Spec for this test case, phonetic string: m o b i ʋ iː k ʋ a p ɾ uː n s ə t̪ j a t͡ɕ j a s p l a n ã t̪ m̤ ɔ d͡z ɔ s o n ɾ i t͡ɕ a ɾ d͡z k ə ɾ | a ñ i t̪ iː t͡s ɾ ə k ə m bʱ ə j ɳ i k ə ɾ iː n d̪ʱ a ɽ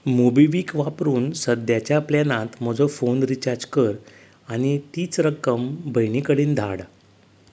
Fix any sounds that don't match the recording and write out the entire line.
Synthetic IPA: m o b i ʋ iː k ʋ a p ɾ uː n s ə d̪ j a t͡ɕ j a p l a n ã t̪ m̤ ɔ d͡z ɔ f o n ɾ i t͡ɕ a ɾ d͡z k ə ɾ | a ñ i t̪ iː t͡s ɾ ə k ə m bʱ ə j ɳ i k ə ɽ iː n d̪ʱ a ɽ

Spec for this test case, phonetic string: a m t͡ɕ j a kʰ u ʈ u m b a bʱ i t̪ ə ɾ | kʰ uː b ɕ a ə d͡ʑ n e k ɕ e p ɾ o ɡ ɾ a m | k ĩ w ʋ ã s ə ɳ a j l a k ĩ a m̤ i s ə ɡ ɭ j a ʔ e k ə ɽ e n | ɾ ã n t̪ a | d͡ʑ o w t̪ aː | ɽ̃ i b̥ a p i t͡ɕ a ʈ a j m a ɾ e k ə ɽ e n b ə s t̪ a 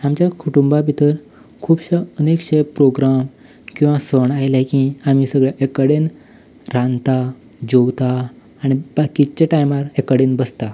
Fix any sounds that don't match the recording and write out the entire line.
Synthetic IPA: a m t͡ɕ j a kʰ u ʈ u m b a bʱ i t̪ ə ɾ | kʰ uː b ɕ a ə n e k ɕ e p ɾ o ɡ ɾ a m | k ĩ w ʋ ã s ə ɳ a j l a k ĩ a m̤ i s ə ɡ ɭ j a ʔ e k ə ɽ e n | ɾ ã n t̪ a | d͡ʑ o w t̪ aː | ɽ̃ i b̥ a k i t͡ɕ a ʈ a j m a ɾ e k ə ɽ e n b ə s t̪ a

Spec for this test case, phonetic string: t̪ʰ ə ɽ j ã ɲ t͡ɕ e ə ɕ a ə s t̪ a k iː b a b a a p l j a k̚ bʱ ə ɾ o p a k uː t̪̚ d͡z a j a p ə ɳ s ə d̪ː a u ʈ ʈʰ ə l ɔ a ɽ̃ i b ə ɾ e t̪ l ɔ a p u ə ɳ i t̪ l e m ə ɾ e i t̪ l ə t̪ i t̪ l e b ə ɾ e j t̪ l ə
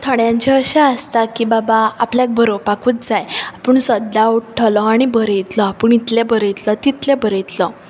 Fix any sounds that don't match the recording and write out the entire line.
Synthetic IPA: t̪ʰ ə ɽ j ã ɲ t͡ɕ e ə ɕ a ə s t̪ a k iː b a b a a p l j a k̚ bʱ ə ɾ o p a k uː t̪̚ d͡z a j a p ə ɳ s ə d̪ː a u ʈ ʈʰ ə l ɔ a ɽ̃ i b ə ɾ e t̪ l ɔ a p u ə ɳ i t̪ l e b ə ɾ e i t̪ l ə t̪ i t̪ l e b ə ɾ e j t̪ l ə

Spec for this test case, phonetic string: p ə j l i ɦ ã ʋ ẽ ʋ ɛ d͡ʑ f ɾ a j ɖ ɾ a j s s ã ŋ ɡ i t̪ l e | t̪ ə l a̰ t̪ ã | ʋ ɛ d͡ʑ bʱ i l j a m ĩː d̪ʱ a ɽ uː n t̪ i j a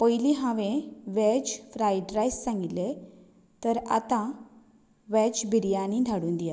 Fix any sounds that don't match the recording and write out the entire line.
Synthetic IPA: p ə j l i ɦ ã ʋ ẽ ʋ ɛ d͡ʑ f ɾ a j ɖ ɾ a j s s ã ŋ ɡ i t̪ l e | t̪ ə ɾ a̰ t̪ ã | ʋ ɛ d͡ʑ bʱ i ɾ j a n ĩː d̪ʱ a ɽ uː n d̪ i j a

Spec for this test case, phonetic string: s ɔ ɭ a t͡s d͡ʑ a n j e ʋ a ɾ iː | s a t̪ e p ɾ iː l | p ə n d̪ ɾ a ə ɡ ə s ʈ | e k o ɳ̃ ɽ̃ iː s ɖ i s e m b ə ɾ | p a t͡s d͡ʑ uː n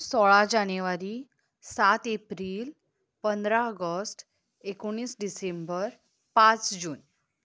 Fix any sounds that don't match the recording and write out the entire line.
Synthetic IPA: s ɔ ɭ a d͡ʑ a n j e ʋ a ɾ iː | s a t̪ e p ɾ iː l | p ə n d̪ ɾ a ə ɡ ə s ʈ | e k o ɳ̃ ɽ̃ iː s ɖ i s e m b ə ɾ | p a t͡s d͡ʑ uː n

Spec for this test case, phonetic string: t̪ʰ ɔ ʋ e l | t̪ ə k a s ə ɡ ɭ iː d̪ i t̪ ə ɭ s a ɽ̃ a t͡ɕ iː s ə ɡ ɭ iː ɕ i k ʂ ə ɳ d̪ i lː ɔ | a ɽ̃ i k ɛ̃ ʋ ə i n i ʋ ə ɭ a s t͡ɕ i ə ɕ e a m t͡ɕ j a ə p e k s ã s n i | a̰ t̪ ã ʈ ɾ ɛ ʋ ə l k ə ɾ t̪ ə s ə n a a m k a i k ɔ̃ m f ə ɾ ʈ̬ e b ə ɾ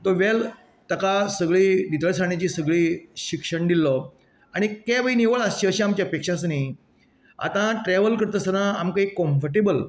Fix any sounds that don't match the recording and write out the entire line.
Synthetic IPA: t̪ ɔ ʋ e l | t̪ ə k a s ə ɡ ɭ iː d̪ i t̪ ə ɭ s a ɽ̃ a t͡ɕ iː s ə ɡ ɭ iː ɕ i k ʂ ə ɳ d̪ i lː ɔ | a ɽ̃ i k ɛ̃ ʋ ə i n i ʋ ə ɭ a s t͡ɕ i ə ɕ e a m t͡ɕ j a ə p e k ʂ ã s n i | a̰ t̪ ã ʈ ɾ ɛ ʋ ə l k ə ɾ t̪ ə s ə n a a m k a i k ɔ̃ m f ə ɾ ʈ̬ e b ə l

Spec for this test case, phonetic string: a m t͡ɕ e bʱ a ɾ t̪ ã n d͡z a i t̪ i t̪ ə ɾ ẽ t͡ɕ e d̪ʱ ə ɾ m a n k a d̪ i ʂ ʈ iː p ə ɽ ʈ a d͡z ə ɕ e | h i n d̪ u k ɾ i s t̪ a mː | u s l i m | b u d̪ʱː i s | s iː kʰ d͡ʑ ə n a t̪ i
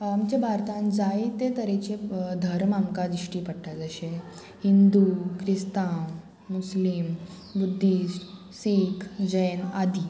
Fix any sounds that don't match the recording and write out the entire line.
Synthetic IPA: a m t͡ɕ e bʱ a ɾ t̪ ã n d͡z a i t̪ e t̪ ə ɾ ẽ t͡ɕ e d̪ʱ ə ɾ m a m k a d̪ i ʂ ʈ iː p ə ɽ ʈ a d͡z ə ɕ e | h i n d̪ u k ɾ i s t̪ a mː | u s l i m | b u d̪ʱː i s | s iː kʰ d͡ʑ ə n a d̪ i

